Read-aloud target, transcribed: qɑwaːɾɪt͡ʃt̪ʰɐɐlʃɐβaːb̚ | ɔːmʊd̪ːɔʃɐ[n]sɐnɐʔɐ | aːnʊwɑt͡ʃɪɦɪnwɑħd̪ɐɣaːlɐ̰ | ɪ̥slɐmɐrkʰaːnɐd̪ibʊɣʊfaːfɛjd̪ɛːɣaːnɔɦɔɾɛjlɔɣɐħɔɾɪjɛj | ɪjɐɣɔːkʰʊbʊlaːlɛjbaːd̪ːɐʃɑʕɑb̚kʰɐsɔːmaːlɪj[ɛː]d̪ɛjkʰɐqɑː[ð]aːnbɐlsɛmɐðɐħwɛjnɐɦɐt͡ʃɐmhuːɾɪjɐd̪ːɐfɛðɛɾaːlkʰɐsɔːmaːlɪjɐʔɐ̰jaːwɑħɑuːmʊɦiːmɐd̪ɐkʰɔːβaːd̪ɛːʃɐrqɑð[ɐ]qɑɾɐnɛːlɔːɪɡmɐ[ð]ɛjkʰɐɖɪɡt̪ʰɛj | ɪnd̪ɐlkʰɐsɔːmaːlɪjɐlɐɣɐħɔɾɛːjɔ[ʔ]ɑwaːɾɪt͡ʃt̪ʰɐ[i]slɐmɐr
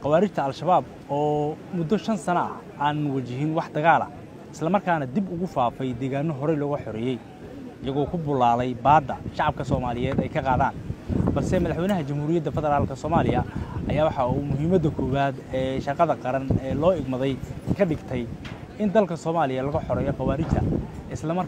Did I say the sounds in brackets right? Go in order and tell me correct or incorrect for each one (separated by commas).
correct, correct, correct, correct, correct, incorrect, incorrect